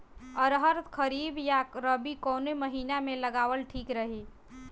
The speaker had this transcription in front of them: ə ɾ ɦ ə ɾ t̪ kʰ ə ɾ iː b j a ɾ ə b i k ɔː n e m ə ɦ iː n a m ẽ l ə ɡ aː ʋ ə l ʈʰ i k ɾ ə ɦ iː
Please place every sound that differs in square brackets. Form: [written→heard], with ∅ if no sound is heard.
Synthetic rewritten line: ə ɾ ɦ ə ɾ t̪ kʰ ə ɾ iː b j a ɾ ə b i k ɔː n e m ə ɦ iː n a m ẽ l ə ɡ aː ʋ ə l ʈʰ [i→iː] k ɾ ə ɦ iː